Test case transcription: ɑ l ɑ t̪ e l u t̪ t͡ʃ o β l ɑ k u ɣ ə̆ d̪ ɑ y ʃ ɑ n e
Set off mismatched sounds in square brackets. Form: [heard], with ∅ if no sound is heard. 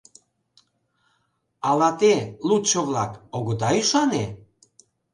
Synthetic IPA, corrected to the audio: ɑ l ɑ t̪ e l u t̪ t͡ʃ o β l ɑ k [o] ɣ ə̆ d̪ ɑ y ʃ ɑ n e